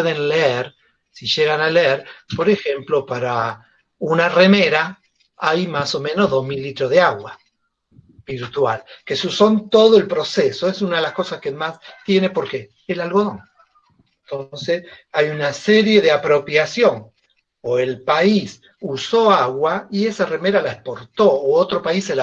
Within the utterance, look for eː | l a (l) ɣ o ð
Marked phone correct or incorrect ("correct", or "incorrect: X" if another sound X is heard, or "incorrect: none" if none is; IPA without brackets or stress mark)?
correct